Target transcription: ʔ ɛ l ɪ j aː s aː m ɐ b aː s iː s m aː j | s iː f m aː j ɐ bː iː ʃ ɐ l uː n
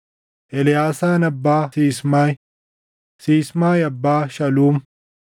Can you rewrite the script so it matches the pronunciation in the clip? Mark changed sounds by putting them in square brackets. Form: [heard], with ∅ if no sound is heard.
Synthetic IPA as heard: ʔ ɛ l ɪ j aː s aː [n] ɐ [bː] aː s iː s m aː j | s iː [s] m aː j ɐ bː [aː] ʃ ɐ l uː [m]